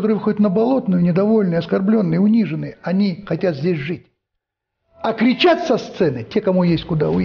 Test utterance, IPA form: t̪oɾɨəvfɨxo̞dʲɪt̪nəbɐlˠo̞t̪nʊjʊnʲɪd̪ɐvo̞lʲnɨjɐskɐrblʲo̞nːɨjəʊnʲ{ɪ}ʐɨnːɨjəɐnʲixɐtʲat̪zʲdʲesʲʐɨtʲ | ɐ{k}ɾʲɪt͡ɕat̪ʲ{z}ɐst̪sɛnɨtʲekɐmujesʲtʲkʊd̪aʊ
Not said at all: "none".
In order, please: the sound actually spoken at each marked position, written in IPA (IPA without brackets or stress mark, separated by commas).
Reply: i, k, s